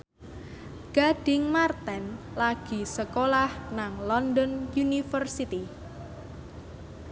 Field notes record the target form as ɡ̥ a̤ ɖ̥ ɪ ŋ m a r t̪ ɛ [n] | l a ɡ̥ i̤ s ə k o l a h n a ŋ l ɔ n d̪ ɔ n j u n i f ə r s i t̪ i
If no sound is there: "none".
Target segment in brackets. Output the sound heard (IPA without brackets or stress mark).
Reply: n